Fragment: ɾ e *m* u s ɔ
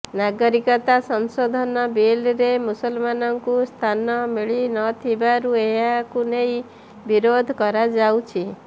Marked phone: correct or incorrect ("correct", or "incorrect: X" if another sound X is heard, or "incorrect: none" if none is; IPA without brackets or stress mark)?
correct